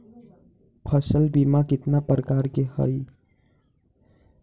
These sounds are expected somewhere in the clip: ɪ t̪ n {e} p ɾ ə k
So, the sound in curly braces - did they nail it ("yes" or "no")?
no